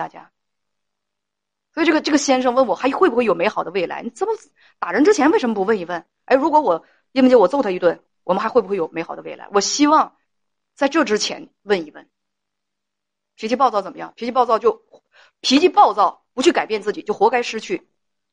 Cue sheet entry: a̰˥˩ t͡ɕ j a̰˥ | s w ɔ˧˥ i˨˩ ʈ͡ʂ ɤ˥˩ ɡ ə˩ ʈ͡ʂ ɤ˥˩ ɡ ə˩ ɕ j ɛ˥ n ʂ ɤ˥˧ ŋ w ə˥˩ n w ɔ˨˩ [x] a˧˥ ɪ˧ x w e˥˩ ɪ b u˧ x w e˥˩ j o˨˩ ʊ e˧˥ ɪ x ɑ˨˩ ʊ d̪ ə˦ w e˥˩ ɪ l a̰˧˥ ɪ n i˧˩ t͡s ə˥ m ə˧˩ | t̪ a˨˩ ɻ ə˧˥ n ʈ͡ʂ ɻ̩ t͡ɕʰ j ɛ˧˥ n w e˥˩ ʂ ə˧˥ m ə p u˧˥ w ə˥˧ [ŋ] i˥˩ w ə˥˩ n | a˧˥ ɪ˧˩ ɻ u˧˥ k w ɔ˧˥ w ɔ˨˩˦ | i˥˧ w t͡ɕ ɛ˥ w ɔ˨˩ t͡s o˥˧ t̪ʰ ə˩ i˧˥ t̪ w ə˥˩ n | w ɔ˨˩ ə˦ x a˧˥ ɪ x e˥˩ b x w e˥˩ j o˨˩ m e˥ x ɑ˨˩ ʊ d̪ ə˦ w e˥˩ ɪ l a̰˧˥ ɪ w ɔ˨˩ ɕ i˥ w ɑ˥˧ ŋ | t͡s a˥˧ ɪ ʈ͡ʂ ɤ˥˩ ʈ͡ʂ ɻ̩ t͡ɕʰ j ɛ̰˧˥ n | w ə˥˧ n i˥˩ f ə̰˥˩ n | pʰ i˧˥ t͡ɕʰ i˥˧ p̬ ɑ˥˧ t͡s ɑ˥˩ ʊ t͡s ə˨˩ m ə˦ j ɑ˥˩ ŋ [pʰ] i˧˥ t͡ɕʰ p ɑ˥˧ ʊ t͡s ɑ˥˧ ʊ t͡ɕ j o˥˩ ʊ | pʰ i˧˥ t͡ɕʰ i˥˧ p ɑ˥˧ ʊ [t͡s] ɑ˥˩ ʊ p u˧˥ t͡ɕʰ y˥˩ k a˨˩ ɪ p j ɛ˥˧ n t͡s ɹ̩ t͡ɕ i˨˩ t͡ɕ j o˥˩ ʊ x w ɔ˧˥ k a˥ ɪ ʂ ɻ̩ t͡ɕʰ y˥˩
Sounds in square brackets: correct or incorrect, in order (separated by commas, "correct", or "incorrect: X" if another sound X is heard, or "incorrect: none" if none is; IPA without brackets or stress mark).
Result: correct, incorrect: n, correct, correct